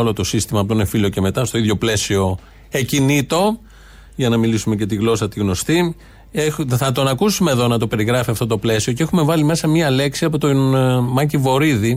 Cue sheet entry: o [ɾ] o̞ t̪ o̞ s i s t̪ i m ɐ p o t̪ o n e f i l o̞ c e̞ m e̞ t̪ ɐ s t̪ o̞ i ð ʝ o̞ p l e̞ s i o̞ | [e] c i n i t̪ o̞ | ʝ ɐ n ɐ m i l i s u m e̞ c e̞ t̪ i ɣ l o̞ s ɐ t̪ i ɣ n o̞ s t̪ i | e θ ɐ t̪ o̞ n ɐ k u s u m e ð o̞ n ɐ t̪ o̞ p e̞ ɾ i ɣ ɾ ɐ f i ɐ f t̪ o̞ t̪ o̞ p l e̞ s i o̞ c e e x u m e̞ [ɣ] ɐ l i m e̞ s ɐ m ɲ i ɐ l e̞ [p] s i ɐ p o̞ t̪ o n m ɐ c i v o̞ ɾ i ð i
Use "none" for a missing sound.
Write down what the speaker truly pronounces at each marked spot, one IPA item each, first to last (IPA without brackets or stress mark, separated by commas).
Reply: l, e, v, k